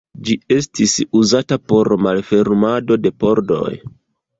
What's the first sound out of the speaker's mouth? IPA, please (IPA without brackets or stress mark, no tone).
d͡ʒ